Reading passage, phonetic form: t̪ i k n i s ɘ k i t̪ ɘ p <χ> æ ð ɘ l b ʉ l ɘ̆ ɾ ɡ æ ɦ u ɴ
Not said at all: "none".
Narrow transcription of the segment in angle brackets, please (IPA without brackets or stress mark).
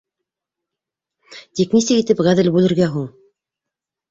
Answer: ʁ